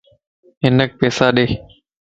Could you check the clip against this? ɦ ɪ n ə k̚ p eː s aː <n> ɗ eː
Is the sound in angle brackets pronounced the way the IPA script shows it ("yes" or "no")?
no